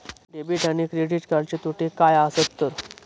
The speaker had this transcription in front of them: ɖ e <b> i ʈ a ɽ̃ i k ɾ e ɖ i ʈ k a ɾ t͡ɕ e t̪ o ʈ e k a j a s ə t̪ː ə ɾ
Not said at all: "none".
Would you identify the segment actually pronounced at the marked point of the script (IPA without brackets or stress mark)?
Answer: b